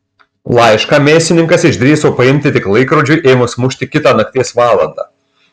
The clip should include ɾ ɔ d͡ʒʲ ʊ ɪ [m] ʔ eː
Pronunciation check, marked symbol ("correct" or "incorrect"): incorrect